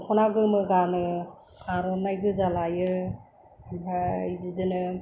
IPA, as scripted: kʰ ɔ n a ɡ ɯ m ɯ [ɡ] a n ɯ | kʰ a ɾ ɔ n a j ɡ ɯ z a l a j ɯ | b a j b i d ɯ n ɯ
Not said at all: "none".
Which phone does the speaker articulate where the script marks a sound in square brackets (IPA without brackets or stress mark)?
ɡ